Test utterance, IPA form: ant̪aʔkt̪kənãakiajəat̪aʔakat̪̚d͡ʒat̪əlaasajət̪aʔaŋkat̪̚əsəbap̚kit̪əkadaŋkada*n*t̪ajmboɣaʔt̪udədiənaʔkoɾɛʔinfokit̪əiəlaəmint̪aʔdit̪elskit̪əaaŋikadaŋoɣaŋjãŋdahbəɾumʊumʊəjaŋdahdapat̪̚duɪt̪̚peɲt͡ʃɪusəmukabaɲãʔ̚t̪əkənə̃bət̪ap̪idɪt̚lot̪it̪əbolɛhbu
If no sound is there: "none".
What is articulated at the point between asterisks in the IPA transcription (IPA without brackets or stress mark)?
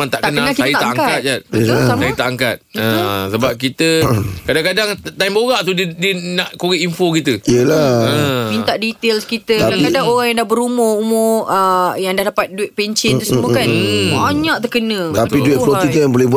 ŋ